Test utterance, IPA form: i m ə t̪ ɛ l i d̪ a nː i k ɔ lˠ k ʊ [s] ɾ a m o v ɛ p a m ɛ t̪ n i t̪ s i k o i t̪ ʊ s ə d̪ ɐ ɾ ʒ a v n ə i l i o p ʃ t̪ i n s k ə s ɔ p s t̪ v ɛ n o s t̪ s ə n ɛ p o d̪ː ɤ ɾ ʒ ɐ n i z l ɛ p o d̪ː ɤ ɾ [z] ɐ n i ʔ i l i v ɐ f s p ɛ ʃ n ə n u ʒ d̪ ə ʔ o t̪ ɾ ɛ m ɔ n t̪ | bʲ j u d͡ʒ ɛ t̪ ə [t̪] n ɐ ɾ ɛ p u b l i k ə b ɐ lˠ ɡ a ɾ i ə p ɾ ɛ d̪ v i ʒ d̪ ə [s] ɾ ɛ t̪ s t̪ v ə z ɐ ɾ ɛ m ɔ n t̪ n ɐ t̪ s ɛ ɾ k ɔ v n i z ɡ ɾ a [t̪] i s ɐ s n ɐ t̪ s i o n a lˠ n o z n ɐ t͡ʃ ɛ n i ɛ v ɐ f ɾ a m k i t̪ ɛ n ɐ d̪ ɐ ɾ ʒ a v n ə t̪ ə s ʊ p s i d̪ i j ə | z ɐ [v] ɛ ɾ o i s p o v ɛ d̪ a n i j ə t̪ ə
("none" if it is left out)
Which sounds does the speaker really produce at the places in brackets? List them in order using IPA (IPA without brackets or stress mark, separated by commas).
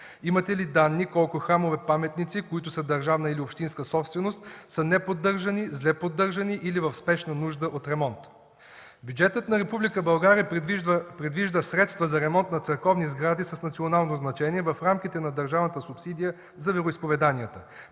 x, ʒ, t̪, s, d̪, v